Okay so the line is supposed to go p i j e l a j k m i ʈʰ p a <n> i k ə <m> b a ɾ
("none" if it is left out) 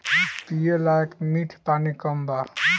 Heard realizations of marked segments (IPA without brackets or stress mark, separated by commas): n, m